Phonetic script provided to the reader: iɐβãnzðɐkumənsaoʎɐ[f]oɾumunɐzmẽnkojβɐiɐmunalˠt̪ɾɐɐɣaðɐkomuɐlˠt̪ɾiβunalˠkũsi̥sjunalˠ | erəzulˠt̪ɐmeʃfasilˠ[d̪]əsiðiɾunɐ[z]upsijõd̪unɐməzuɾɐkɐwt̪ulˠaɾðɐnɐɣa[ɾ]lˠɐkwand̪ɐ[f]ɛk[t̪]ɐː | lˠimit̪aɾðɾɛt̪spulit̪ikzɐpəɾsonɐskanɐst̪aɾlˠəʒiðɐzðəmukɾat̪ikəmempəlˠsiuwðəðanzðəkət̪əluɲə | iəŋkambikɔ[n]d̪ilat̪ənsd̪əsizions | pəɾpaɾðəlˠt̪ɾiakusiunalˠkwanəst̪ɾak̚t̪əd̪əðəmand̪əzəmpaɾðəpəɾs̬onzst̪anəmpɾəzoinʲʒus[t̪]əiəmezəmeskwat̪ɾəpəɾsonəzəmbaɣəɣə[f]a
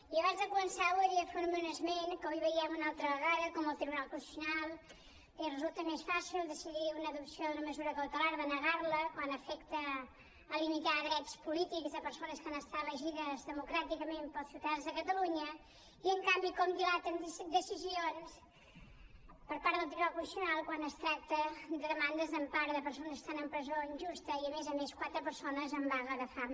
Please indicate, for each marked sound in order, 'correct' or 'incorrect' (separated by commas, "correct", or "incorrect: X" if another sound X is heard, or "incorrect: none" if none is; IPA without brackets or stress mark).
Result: correct, correct, incorrect: ð, correct, correct, correct, incorrect: m, correct, correct